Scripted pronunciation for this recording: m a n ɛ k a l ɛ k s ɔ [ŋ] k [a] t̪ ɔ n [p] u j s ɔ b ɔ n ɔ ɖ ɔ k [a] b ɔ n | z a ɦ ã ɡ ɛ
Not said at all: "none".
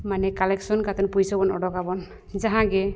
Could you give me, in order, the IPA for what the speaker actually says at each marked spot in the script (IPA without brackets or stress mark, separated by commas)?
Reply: n, a, p, a